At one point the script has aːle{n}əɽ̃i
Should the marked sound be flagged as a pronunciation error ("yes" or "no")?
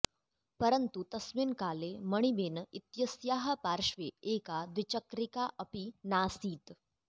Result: yes